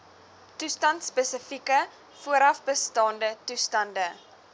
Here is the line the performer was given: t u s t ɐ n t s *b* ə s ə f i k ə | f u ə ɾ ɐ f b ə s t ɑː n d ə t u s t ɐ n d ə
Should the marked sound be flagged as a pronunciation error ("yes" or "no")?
yes